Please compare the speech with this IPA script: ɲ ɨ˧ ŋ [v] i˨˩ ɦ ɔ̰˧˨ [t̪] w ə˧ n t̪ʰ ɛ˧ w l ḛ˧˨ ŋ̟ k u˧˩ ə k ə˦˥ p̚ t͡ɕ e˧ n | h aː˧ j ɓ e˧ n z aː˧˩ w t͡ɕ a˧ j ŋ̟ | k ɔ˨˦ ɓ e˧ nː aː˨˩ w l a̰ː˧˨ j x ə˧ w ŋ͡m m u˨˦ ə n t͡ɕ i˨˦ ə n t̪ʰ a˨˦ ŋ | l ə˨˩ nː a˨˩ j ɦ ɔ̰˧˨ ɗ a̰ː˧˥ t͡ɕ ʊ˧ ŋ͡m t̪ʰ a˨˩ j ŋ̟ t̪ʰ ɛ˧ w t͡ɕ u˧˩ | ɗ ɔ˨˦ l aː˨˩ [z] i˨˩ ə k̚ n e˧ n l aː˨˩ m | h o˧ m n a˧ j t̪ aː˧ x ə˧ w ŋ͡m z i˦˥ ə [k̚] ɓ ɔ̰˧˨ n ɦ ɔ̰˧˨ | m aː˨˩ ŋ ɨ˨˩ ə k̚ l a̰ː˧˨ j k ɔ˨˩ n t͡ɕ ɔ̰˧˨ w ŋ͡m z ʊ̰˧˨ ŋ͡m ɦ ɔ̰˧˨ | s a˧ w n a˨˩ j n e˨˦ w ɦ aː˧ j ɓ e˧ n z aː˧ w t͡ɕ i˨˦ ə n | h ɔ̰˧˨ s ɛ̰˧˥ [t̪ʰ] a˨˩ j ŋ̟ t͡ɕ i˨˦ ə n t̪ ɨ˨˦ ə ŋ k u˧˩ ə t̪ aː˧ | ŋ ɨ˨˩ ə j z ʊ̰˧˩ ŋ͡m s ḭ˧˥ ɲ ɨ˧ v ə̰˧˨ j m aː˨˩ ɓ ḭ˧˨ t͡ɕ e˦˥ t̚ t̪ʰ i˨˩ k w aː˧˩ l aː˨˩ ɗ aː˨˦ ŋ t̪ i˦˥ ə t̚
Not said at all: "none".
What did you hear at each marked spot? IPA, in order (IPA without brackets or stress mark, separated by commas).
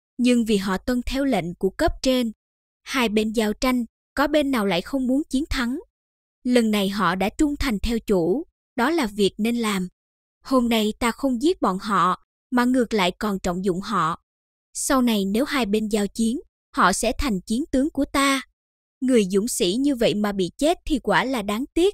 v, t̪, v, t̚, t̪ʰ